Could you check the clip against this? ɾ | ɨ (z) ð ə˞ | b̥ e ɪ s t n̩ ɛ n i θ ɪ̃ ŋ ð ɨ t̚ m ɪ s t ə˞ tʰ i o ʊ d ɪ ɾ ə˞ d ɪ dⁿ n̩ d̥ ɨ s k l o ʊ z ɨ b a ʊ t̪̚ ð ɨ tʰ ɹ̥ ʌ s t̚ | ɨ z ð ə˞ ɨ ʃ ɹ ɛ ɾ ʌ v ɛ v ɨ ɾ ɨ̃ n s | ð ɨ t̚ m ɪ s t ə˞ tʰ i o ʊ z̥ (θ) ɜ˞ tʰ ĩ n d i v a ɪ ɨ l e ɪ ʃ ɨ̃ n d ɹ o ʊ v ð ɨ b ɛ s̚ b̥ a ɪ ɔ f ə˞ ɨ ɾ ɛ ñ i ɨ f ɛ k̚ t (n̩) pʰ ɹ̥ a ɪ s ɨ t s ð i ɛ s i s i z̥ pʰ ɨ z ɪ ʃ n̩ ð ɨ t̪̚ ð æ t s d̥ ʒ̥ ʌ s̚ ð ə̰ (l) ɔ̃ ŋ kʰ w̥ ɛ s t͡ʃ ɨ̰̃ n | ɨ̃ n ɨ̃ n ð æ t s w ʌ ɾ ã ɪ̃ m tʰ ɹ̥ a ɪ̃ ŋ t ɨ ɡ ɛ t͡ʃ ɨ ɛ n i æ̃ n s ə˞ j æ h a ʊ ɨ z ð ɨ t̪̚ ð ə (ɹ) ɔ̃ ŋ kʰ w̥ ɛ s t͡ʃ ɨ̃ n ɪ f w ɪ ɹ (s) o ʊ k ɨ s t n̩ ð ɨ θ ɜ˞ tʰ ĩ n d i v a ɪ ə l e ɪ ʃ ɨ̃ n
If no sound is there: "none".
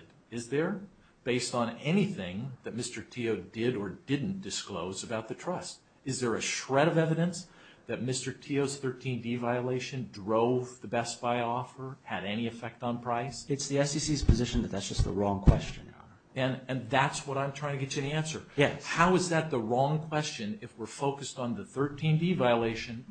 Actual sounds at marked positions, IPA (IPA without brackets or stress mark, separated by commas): z, θ, n̩, ɹ, ɹ, f